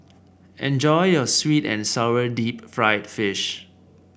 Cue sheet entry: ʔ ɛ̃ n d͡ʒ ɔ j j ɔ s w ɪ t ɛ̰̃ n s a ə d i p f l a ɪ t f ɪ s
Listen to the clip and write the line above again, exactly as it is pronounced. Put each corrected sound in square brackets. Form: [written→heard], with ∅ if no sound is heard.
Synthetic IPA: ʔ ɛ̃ n d͡ʒ ɔ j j ɔ s w [ɪ→i] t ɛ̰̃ n s a ə d i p f [l→ɹ] a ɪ t f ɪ [s→ʃ]